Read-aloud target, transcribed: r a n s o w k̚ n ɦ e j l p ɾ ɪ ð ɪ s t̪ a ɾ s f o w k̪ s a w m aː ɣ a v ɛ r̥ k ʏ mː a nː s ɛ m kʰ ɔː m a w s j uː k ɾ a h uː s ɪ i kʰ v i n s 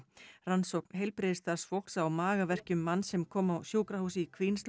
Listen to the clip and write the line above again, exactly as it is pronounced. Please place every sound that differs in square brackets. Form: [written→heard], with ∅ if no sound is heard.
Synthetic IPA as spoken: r a n s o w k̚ n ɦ e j l p ɾ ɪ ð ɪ s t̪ a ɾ s f o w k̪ s a w m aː ɣ a v ɛ r̥ [k→c] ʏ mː a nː s ɛ m kʰ ɔː m a w s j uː k ɾ a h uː s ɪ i kʰ v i n s

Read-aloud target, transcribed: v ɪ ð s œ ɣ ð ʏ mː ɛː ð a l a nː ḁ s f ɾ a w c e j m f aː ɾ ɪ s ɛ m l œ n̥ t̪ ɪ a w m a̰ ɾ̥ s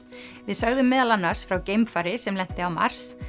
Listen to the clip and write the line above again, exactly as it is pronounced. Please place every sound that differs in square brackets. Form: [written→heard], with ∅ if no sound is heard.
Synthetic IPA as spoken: v ɪ ð s œ ɣ ð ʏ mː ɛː ð a l a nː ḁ s f ɾ a w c e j m f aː ɾ ɪ s ɛ m l [œ→ɛ] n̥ t̪ ɪ a w m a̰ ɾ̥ s

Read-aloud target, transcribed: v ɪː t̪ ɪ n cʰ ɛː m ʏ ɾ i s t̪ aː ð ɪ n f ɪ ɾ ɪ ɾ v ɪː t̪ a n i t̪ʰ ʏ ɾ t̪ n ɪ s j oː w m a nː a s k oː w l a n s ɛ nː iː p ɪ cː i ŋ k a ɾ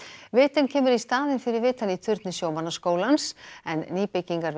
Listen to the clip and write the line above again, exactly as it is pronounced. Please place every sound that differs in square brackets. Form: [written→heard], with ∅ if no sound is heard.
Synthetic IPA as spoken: v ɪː t̪ ɪ n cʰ ɛː m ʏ ɾ i s t̪ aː ð ɪ n f ɪ ɾ ɪ ɾ v ɪː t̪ a n i t̪ʰ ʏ ɾ t̪ n ɪ s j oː w m a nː a s k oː w l a n s ɛ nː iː p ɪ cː i ŋ k a ɾ

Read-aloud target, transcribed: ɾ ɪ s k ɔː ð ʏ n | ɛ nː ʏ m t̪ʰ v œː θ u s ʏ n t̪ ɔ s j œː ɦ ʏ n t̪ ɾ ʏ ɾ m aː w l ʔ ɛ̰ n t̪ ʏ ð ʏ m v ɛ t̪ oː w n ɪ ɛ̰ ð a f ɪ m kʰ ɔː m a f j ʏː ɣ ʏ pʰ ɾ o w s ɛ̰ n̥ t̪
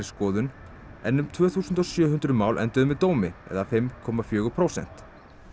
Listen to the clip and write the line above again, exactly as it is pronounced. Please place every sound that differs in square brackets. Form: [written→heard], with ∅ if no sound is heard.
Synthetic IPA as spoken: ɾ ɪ s k ɔː ð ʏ n | ɛ nː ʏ m t̪ʰ v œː θ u s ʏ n t̪ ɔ s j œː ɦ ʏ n t̪ ɾ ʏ [ɾ→∅] m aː w l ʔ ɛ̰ n t̪ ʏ ð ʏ m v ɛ t̪ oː w [n→m] ɪ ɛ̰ ð a f ɪ m kʰ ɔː m a f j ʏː ɣ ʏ pʰ ɾ o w s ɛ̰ n̥ t̪

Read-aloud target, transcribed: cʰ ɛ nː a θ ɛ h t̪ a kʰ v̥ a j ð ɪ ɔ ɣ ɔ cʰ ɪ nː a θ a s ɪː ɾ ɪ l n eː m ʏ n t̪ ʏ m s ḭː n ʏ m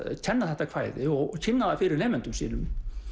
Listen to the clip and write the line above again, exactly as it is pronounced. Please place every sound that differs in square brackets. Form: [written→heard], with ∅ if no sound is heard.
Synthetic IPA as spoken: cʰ ɛ nː a θ ɛ h t̪ a kʰ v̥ a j ð ɪ ɔ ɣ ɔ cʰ ɪ nː a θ a [s→f] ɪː ɾ ɪ [l→ɾ] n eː m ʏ n t̪ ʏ m s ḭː n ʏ m

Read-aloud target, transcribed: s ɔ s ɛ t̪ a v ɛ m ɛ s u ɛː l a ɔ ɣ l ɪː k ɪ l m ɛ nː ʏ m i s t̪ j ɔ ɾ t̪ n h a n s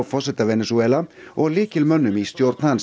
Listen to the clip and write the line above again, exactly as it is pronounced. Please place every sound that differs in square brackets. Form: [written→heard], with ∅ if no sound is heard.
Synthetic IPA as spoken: [s→f] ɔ s ɛ t̪ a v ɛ [m→n] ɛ s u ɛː l a ɔ ɣ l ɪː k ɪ l m [ɛ→œ] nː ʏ m i s t̪ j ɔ ɾ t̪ n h a n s

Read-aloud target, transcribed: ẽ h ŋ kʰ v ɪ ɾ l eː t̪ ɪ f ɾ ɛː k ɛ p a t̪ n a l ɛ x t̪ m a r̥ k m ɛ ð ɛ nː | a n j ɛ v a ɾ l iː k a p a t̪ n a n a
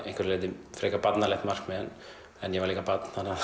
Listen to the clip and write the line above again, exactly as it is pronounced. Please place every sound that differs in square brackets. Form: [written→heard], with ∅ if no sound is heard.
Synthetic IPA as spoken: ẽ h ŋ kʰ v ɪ ɾ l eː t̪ ɪ f ɾ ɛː k [ɛ→a] p a t̪ n a l ɛ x t̪ m a r̥ k m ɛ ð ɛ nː | [a→ɛ] n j ɛ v a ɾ l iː k a p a t̪ n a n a

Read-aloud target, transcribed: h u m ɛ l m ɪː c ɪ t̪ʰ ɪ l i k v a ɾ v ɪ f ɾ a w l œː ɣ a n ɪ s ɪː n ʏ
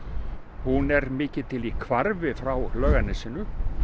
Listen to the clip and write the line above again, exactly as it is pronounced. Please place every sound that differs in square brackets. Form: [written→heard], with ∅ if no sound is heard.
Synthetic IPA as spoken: h u [m→n] ɛ [l→ɾ] m ɪː c ɪ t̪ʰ ɪ l i [k→kʰ] v a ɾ v ɪ f ɾ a w l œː ɣ a n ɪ s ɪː n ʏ

